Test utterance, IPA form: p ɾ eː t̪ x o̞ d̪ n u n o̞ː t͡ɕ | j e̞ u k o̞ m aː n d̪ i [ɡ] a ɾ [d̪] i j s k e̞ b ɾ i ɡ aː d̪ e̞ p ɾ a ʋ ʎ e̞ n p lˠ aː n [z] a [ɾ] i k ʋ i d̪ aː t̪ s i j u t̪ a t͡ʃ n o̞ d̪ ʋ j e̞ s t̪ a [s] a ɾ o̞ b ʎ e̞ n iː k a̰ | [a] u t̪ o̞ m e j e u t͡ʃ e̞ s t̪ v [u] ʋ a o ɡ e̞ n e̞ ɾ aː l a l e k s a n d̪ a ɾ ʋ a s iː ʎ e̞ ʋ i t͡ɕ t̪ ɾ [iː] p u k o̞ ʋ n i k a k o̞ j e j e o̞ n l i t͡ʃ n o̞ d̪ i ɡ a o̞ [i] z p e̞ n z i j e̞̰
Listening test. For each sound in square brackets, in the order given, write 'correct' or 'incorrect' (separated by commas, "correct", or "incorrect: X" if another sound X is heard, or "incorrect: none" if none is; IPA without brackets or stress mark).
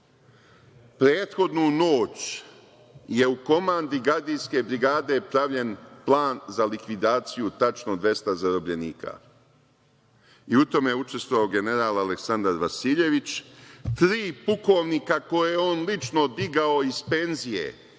correct, correct, correct, incorrect: l, incorrect: z, incorrect: i, incorrect: o, correct, correct